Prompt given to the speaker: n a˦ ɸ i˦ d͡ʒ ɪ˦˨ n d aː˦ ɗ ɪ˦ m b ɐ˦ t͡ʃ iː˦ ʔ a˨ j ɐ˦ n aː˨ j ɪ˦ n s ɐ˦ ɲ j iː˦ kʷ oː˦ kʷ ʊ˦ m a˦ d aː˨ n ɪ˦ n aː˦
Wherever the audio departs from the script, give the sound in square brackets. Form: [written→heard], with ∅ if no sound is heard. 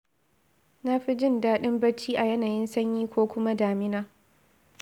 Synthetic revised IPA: n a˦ ɸ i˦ d͡ʒ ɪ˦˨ n d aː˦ ɗ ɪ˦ m b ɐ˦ t͡ʃ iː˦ ʔ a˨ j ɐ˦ n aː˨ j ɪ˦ n s ɐ˦ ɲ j iː˦ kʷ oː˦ kʷ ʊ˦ m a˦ d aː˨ [n→m] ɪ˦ n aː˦